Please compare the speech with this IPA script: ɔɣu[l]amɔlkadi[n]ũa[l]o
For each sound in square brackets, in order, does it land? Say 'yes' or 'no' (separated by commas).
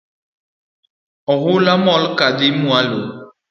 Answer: yes, no, yes